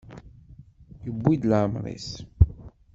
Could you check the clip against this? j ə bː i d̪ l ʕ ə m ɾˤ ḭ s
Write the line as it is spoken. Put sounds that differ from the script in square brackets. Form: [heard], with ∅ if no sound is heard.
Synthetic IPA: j ə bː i d̪ l ʕ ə m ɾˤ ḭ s

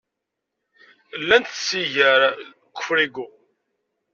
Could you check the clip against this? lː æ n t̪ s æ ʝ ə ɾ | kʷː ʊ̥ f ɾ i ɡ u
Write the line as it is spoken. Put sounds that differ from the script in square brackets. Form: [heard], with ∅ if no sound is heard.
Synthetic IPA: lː æ n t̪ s [i] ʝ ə ɾ | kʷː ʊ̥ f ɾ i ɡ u

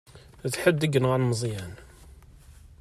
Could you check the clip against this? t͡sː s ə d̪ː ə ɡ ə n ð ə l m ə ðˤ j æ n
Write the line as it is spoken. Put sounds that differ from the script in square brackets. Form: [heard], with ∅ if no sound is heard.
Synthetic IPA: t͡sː [ħ] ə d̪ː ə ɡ ə n [ʁ] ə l m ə [zˤ] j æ n

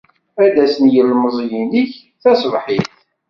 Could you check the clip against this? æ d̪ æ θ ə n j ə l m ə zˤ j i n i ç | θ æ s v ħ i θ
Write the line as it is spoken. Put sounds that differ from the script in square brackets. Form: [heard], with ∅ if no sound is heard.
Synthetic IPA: æ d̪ æ [s] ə n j ə l m ə zˤ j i n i ç | θ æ s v ħ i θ

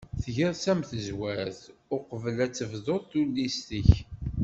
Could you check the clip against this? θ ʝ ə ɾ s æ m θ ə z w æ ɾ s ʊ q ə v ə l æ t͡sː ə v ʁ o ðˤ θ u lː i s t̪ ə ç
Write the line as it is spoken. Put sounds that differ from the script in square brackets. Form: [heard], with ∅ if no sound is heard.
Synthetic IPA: θ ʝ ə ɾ s æ m θ ə z w æ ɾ [θ] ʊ q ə v ə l æ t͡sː ə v [ð] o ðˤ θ u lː i s t̪ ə ç

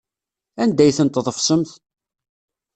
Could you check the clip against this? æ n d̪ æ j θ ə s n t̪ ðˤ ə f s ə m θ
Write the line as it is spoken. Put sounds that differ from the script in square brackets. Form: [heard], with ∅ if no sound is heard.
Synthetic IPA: æ n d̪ æ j θ ə [∅] n t̪ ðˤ ə f s ə m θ

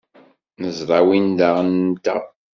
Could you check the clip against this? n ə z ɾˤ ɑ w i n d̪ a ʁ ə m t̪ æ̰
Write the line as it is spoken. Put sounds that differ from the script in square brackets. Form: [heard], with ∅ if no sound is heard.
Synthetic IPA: n ə z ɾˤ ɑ w i n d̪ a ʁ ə [n] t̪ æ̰

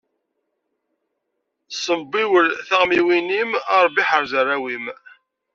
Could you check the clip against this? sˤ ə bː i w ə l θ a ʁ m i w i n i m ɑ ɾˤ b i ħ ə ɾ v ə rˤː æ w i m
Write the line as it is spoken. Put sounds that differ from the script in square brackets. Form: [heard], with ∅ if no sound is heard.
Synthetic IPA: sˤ ə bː i w ə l θ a ʁ m i w i n i m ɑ ɾˤ b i ħ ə ɾ [z] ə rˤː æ w i m

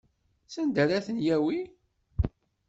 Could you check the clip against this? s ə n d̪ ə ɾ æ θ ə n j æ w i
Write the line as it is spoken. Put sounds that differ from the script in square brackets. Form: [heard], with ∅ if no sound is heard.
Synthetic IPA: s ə n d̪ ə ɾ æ θ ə n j æ w i

